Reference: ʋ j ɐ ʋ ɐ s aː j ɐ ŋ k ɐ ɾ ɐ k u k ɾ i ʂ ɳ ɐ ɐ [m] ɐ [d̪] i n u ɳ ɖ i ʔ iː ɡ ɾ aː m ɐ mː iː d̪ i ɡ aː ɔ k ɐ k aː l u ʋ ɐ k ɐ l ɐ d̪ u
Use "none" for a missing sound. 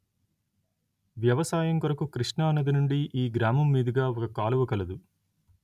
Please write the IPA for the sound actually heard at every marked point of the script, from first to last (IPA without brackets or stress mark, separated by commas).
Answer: n, d̪